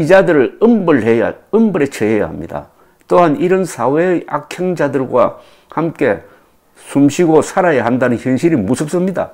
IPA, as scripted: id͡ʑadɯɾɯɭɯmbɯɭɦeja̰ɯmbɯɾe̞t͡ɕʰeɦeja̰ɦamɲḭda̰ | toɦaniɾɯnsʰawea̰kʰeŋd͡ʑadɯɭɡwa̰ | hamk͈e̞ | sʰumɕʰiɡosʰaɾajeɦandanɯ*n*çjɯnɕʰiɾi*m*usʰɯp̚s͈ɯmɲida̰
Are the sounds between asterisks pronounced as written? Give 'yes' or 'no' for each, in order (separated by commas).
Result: yes, yes